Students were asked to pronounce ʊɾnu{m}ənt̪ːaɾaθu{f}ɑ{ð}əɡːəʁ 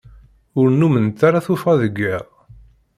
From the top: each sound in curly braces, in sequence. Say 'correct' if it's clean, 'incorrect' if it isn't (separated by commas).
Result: correct, correct, correct